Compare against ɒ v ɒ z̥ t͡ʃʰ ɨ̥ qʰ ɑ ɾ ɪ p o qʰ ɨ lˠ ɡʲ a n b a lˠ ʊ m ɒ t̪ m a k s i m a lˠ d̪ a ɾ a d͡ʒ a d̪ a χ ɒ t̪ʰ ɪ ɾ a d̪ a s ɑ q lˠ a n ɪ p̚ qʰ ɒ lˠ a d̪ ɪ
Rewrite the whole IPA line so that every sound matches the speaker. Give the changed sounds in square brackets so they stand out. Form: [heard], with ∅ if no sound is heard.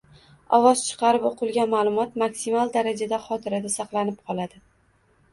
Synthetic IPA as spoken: ɒ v ɒ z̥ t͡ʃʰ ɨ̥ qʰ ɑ ɾ ɪ p o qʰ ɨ lˠ ɡʲ a n [m] a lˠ ʊ m ɒ t̪ m a k s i m a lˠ d̪ a ɾ a d͡ʒ a d̪ a χ ɒ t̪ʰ ɪ ɾ a d̪ a s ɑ q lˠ a n ɪ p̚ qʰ ɒ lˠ a d̪ ɪ